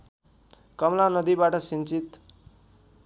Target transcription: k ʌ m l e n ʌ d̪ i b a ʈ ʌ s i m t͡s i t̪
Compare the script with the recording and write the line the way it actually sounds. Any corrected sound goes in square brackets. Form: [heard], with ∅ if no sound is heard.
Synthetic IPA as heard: k ʌ m l [a] n ʌ d̪ i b a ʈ ʌ s i [n] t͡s i t̪